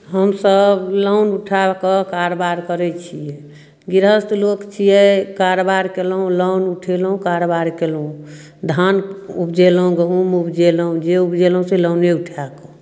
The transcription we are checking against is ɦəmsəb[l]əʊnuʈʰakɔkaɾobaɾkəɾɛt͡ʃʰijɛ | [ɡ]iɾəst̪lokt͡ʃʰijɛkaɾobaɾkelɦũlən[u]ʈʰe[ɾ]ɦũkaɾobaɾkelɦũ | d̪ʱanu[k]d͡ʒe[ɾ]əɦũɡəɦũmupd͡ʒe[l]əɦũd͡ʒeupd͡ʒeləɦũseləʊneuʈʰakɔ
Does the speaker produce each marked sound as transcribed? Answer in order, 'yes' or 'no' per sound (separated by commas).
yes, yes, yes, no, no, no, yes